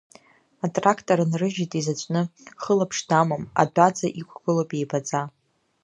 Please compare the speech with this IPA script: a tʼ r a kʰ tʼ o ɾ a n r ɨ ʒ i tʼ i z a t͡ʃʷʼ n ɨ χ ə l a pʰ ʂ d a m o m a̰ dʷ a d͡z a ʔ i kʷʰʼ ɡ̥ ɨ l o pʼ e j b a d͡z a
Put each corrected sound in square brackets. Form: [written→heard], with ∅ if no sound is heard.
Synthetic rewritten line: a tʼ r a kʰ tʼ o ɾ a n r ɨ ʒ i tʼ i z a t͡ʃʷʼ n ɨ χ ə l a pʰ ʂ d a m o m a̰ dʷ a d͡z a ʔ i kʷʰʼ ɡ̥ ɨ l o pʼ e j b a d͡z a